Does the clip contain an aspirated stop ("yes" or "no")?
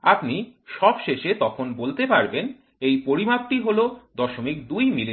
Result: yes